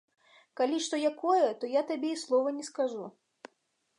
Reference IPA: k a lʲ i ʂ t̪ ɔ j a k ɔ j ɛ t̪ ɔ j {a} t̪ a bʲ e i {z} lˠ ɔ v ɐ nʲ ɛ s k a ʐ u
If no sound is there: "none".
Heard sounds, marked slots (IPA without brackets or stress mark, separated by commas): a, s